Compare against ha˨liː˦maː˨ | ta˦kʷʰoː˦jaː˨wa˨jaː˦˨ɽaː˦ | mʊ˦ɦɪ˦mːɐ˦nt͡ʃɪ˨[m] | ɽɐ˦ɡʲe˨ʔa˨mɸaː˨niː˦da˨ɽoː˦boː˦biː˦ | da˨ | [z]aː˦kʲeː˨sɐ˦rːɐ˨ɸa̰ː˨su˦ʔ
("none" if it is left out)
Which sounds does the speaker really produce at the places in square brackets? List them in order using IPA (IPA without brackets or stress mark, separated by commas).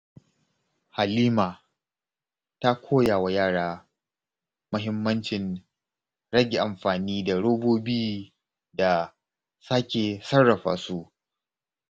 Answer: n, s